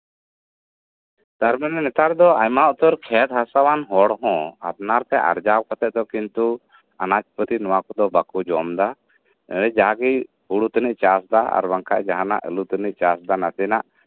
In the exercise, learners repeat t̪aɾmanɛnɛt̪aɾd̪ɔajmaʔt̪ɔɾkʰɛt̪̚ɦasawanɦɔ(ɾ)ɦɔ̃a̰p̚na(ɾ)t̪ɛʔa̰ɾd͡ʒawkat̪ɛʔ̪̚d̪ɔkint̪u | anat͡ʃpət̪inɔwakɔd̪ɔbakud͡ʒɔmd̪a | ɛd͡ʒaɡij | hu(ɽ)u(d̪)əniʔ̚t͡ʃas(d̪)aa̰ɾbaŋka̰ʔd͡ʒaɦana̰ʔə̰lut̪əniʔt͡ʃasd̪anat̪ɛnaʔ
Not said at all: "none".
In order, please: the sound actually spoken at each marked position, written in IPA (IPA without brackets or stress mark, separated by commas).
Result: ɽ, ɾ, ɽ, t̪, d̪